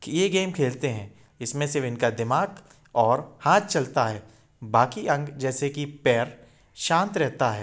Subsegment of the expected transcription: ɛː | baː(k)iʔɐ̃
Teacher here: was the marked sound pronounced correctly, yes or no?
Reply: yes